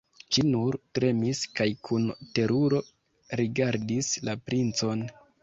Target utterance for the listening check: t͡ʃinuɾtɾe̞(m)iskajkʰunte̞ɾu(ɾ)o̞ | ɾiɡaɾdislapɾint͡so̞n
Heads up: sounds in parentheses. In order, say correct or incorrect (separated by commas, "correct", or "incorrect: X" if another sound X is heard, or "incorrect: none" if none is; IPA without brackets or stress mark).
correct, correct